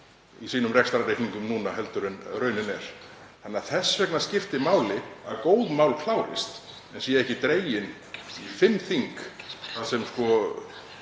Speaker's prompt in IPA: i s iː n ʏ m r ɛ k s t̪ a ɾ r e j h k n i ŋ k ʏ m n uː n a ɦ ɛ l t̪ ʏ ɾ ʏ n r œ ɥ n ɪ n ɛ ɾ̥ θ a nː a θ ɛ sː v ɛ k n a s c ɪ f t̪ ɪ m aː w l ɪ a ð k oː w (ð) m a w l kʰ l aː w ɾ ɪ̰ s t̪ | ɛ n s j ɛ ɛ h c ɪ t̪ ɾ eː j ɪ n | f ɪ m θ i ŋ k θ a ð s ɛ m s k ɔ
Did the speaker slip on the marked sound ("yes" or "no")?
no